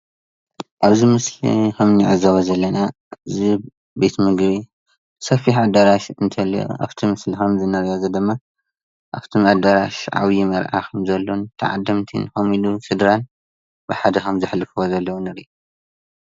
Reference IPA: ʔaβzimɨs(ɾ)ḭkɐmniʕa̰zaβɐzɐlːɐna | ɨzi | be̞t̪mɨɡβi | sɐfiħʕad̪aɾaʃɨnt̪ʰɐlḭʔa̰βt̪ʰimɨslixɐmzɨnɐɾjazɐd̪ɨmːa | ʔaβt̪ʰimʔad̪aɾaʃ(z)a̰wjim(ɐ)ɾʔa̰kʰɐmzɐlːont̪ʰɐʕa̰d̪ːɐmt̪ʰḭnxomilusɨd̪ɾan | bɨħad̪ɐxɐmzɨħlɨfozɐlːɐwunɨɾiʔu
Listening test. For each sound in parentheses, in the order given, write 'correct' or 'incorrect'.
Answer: incorrect, incorrect, correct

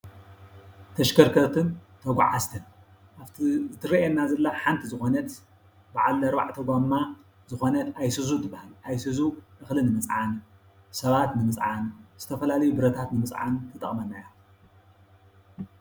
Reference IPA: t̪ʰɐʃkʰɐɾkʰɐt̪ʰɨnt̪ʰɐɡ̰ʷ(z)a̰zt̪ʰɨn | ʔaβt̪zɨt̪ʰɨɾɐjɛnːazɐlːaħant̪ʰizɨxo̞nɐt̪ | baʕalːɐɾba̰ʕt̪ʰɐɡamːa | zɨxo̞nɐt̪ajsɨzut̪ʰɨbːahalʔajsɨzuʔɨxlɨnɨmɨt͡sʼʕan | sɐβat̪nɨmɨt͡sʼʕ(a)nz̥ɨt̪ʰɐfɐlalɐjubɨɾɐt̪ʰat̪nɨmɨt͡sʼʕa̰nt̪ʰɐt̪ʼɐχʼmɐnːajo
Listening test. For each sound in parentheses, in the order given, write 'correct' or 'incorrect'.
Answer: incorrect, correct

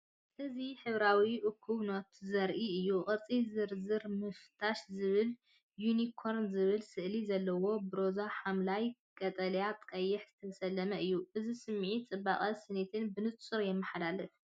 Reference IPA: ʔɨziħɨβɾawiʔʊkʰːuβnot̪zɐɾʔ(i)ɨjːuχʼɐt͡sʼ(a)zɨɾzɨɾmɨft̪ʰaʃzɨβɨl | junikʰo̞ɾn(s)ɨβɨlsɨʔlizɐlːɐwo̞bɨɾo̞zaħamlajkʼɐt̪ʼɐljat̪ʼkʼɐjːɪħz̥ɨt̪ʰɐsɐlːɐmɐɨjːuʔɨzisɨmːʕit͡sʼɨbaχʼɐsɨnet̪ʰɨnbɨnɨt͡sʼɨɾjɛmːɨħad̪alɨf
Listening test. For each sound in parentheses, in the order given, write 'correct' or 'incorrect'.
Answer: correct, incorrect, incorrect

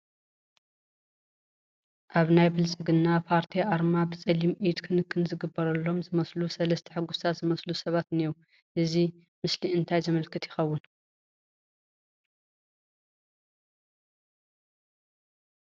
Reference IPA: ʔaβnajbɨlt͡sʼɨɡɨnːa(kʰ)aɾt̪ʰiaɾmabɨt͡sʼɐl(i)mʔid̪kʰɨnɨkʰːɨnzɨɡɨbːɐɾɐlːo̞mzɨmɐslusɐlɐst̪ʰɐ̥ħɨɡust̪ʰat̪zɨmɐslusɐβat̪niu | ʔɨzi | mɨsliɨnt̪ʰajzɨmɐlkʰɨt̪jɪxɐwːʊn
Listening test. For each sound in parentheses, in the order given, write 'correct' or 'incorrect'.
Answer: incorrect, correct

